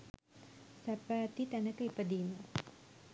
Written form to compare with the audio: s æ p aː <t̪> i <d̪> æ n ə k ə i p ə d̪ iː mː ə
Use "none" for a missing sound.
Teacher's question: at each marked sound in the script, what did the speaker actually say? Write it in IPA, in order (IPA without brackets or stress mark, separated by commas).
t̪, t̪